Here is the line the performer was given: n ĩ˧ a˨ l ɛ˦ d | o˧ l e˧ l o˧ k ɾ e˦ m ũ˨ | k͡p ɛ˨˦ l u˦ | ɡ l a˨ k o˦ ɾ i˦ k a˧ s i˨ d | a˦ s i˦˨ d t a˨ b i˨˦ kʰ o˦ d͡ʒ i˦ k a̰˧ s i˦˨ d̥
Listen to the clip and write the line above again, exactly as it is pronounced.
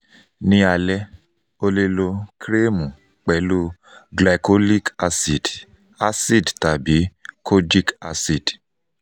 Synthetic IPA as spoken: n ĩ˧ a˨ l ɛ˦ | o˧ l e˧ l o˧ k ɾ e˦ m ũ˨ | k͡p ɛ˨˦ l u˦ | ɡ l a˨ k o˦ l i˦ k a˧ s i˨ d | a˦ s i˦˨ d t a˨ b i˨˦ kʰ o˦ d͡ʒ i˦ k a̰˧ s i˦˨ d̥

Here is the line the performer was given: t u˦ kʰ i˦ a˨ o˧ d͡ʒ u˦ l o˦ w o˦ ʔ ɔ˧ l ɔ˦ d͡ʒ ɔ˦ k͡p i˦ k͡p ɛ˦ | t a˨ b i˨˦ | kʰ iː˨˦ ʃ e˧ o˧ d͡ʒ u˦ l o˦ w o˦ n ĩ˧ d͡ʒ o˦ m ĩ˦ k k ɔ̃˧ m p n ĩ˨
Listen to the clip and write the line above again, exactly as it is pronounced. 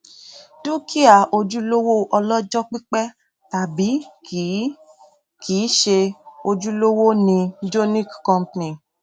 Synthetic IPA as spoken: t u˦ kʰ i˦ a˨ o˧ d͡ʒ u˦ l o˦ w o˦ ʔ ɔ˧ l ɔ˦ d͡ʒ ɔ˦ k͡p i˦ k͡p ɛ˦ | t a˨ b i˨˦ | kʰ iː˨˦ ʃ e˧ o˧ d͡ʒ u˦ l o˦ w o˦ n ĩ˧ d͡ʒ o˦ n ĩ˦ k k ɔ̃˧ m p n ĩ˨

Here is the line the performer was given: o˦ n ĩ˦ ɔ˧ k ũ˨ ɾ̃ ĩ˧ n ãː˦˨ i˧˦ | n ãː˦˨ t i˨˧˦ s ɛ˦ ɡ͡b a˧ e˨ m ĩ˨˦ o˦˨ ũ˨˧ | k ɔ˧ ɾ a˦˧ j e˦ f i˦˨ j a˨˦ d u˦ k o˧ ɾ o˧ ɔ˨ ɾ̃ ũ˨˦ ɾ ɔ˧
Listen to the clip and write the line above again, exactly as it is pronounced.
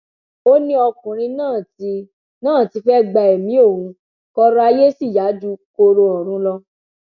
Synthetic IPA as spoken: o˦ n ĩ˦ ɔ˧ k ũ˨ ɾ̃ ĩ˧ n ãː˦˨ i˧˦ | n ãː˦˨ t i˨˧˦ f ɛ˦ ɡ͡b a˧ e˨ m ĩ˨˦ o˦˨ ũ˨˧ | k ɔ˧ ɾ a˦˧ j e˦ s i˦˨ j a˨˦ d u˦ k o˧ ɾ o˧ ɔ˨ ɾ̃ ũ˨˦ l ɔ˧

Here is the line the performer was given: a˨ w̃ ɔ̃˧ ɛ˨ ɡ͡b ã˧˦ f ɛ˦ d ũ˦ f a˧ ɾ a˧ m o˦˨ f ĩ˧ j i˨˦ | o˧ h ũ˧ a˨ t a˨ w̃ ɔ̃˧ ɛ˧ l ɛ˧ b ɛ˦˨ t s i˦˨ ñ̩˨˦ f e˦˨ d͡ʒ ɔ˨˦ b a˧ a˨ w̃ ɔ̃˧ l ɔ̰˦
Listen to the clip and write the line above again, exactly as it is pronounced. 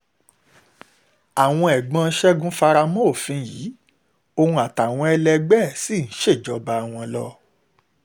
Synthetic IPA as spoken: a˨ w̃ ɔ̃˧ ɛ˨ ɡ͡b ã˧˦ ʃ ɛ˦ ɡ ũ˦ f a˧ ɾ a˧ m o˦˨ f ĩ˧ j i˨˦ | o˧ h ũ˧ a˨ t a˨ w̃ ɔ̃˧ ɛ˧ l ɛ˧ ɡ͡b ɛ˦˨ s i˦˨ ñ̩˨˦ ʃ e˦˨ d͡ʒ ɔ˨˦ b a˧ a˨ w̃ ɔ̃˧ l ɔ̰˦

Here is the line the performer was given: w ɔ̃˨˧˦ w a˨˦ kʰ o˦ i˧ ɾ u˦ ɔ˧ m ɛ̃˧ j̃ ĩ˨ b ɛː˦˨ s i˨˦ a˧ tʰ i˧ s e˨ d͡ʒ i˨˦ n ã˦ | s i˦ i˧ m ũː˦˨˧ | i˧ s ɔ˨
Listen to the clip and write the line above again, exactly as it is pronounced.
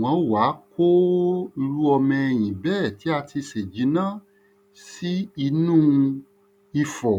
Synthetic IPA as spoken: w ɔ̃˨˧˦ w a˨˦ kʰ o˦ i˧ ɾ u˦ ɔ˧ m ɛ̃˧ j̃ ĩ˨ b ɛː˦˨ t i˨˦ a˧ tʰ i˧ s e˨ d͡ʒ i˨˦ n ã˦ | s i˦ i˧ n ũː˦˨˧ | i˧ f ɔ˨

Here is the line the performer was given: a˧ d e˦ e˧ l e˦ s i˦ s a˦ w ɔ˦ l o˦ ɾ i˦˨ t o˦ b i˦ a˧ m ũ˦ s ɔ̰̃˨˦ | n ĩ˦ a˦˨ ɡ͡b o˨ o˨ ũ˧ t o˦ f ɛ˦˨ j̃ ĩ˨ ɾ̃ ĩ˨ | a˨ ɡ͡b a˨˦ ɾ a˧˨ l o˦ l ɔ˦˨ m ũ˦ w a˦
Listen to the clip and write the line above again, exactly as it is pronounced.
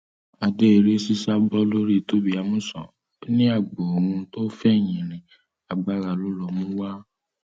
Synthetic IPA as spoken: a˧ d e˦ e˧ ɾ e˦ s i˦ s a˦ b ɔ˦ l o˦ ɾ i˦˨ t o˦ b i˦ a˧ m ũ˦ s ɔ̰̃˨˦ | n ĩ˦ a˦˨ ɡ͡b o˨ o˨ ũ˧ t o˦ f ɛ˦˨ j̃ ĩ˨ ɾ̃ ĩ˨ | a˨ ɡ͡b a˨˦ ɾ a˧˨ l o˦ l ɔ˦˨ m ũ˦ w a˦

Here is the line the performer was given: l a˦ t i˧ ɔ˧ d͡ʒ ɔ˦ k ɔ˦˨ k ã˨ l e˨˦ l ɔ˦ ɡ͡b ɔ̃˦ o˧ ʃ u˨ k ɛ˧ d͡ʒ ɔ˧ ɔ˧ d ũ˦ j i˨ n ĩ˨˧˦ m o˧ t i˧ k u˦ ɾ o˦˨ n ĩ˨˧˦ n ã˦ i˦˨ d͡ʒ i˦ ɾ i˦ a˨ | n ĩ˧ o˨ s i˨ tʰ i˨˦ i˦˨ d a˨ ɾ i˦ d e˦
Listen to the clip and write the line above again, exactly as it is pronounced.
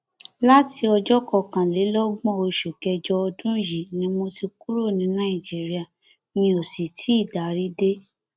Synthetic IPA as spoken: l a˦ t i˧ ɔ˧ d͡ʒ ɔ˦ k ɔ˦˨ k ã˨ l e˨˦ l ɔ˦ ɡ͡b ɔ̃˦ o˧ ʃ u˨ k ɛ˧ d͡ʒ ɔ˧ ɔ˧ d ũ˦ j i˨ n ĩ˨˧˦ m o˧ t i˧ k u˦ ɾ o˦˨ n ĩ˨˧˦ n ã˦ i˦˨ d͡ʒ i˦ ɾ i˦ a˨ | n ĩ˧ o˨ s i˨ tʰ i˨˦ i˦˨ d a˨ ɾ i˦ d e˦

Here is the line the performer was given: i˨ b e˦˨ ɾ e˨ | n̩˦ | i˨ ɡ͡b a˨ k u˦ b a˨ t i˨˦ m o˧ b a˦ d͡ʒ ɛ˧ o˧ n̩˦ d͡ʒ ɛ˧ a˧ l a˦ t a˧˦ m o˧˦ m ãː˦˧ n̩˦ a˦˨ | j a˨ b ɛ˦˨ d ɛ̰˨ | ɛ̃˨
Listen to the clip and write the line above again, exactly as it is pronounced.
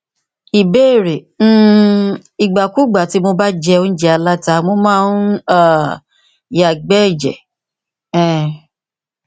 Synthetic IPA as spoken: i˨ b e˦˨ ɾ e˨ | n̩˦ | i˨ ɡ͡b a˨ k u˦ ɡ͡b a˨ t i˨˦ m o˧ b a˦ d͡ʒ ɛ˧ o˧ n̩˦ d͡ʒ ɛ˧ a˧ l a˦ t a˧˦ m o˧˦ m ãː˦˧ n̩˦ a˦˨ | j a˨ ɡ͡b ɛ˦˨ d͡ʒ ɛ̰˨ | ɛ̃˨

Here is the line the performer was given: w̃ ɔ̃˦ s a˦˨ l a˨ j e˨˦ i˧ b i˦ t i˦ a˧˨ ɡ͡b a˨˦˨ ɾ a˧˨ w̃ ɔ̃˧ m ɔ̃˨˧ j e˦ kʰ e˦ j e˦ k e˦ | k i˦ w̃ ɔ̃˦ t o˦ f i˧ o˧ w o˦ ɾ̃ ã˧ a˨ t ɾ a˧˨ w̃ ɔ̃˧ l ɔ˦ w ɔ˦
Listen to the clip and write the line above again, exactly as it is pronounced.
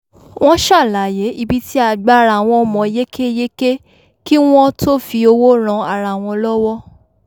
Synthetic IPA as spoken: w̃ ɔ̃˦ ʃ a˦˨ l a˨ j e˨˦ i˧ b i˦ t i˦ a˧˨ ɡ͡b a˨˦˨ ɾ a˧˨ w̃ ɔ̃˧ m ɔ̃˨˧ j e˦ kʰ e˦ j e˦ k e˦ | k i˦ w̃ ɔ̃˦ t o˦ f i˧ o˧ w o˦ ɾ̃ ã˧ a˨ ɾ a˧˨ w̃ ɔ̃˧ l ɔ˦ w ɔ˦

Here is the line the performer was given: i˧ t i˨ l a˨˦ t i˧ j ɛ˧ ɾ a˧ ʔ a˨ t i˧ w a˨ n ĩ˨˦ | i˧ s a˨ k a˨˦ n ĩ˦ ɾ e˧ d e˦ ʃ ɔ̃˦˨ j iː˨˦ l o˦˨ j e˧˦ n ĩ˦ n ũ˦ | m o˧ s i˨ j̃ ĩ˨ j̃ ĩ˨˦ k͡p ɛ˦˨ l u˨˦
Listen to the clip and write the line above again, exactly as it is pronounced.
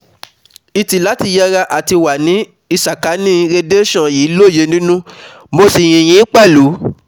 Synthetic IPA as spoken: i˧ t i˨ l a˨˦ t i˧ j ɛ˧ ɾ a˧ ʔ a˨ t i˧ w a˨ n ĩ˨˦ | i˧ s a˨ k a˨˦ n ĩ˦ ɾ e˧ d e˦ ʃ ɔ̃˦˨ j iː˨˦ l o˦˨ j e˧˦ n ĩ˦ n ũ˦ | m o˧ s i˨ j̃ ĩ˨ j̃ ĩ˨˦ k͡p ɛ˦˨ l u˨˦

